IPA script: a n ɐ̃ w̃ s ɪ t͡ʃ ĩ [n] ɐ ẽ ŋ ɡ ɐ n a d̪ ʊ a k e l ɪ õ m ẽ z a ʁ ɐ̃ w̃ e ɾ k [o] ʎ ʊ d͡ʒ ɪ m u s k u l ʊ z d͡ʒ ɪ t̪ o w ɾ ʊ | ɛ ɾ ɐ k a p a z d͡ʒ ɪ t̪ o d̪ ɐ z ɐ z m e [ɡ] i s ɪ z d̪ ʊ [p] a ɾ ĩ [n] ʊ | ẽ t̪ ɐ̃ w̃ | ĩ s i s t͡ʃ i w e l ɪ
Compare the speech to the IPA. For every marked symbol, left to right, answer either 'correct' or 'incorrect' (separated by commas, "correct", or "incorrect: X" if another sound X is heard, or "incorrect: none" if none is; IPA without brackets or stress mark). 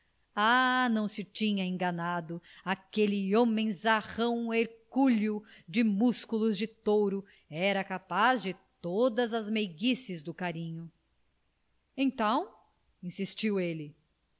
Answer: incorrect: ɲ, incorrect: u, correct, incorrect: k, incorrect: ɲ